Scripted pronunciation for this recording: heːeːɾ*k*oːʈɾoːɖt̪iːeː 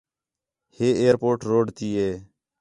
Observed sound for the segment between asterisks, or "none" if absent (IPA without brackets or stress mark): p